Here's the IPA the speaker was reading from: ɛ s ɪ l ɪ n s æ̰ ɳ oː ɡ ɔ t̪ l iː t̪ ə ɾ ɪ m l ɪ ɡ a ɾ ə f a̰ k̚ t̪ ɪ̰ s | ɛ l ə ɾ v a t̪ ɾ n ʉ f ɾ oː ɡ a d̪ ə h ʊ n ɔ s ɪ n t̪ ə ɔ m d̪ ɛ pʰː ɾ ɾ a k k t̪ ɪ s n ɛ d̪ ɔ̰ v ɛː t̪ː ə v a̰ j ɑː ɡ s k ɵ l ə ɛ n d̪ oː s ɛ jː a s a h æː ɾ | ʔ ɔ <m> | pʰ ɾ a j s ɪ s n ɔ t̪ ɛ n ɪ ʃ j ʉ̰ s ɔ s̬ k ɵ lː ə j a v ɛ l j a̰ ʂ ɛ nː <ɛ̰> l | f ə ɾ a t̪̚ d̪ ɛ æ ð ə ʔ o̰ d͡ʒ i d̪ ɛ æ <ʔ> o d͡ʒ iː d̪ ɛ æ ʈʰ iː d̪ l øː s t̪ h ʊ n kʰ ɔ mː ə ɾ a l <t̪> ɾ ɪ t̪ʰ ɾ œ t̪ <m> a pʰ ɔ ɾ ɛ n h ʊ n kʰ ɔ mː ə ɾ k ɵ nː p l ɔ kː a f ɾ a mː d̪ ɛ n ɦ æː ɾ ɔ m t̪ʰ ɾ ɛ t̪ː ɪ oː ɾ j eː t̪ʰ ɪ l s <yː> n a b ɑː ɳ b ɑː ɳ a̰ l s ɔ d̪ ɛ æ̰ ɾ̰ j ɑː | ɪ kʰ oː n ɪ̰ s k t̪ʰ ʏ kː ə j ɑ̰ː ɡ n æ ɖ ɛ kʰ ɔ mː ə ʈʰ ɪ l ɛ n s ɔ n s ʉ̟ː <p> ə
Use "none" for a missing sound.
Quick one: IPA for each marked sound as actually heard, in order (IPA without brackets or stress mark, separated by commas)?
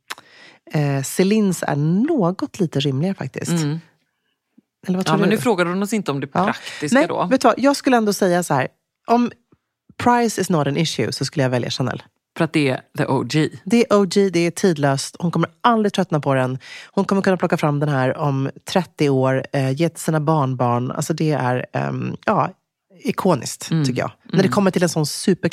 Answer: m, ɛ̰, ʔ, d̪, n, iː, p